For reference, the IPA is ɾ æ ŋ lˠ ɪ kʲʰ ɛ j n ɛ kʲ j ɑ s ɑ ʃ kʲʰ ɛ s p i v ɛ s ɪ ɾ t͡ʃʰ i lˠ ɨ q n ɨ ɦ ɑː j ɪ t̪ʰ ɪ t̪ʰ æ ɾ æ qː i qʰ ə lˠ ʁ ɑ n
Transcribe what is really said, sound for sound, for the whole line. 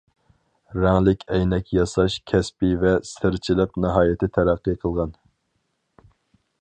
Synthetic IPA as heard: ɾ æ ŋ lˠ ɪ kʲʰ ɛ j n ɛ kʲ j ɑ s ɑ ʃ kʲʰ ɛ s p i v ɛ s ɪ ɾ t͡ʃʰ i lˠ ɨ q n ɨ ɦ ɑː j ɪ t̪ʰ ɪ t̪ʰ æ ɾ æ qː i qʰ ə lˠ ʁ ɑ n